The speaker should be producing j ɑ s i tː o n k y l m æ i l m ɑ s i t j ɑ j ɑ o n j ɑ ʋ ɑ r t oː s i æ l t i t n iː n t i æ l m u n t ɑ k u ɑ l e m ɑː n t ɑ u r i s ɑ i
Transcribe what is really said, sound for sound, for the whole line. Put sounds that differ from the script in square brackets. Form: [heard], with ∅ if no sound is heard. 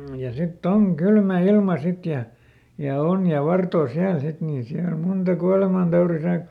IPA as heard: j ɑ s i tː o [ŋ] k y l m æ i l m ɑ s i t j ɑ j ɑ o n j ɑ ʋ ɑ r t oː s i æ l [s] i t n iː n [s] i æ l m u n t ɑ k u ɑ l e m [ɑ] n t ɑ u r i s ɑ i